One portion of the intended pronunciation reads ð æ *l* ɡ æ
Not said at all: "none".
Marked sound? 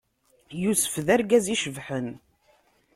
ɾ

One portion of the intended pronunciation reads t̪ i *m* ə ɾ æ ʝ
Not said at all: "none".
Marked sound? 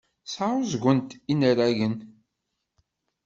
n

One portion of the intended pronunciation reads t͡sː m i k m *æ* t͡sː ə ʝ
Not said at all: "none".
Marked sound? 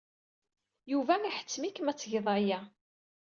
æ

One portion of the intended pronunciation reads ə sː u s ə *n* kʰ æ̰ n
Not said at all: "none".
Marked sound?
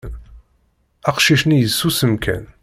m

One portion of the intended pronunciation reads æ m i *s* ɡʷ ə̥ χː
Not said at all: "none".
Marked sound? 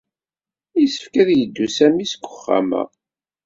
s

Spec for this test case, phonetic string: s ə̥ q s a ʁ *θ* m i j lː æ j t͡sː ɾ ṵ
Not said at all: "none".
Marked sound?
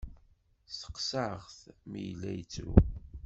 θ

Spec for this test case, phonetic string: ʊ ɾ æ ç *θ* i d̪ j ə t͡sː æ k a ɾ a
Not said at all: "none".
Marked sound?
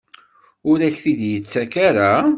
θ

